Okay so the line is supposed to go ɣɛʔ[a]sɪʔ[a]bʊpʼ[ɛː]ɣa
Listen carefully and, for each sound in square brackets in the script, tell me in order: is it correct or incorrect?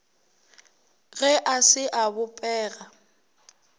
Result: correct, correct, correct

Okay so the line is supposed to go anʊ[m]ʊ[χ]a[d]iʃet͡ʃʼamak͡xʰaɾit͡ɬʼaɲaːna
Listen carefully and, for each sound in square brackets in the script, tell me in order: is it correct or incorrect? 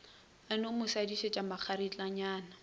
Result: correct, incorrect: s, correct

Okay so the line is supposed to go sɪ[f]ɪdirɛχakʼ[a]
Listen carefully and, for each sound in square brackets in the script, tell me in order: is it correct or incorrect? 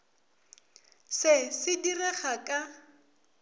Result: incorrect: s, correct

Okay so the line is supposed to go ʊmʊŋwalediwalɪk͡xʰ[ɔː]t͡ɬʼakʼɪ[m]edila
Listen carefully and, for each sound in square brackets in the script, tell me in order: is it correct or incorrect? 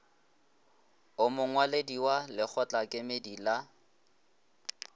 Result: incorrect: ɔ, correct

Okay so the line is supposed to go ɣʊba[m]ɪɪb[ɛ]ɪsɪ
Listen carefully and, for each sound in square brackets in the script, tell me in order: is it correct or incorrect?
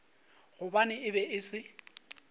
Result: incorrect: n, correct

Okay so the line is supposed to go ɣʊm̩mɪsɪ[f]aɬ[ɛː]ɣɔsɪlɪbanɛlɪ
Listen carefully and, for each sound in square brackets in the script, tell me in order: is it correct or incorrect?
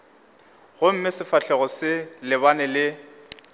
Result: correct, incorrect: ɛ

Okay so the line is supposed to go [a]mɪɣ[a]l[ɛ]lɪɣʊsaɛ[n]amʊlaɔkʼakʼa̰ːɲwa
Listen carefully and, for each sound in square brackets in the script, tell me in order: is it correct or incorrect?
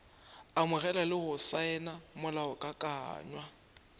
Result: correct, incorrect: ɛ, incorrect: a, correct

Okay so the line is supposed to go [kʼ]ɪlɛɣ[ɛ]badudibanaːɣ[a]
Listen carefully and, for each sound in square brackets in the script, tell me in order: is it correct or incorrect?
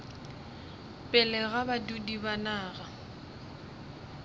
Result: incorrect: pʼ, incorrect: a, correct

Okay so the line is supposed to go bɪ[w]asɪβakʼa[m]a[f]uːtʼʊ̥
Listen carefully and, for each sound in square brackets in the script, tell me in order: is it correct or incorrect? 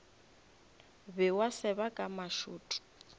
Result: correct, correct, incorrect: ʃ

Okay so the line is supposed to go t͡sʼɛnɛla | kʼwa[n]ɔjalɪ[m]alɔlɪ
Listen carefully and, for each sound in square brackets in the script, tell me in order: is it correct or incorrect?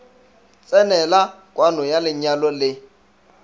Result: correct, incorrect: ɲ

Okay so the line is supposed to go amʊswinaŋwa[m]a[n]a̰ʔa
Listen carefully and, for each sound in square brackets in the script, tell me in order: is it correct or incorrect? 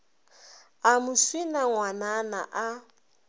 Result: incorrect: n, correct

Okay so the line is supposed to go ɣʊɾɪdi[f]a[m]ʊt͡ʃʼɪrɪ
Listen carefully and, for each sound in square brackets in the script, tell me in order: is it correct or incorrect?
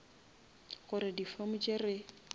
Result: correct, correct

